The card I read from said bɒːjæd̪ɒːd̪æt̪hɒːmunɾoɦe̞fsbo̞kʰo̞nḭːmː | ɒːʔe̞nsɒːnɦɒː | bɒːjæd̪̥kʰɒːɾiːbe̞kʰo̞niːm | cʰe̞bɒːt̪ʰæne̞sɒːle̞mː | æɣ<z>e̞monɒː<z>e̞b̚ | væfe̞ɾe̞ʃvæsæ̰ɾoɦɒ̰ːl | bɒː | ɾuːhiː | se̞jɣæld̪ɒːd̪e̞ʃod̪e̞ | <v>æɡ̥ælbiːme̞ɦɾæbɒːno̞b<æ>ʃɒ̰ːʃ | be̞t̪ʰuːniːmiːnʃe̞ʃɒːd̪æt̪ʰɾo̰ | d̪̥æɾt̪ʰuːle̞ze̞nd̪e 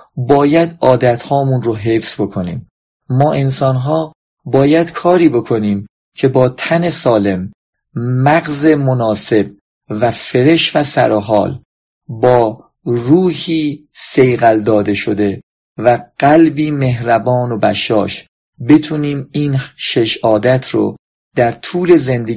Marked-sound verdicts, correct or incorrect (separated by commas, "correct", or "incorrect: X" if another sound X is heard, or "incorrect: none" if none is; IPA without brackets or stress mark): correct, incorrect: s, correct, correct